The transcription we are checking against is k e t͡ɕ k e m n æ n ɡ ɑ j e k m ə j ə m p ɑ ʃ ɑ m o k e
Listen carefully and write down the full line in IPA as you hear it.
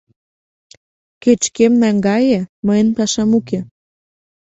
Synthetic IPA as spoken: k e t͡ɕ k e m n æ ŋ ɡ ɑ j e m ə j ə n p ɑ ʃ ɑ m u k e